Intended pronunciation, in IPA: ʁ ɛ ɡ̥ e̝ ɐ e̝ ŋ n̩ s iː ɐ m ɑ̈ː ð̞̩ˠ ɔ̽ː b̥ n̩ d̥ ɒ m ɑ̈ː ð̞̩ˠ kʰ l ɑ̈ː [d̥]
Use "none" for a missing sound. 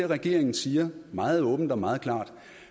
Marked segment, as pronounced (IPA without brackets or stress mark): d̥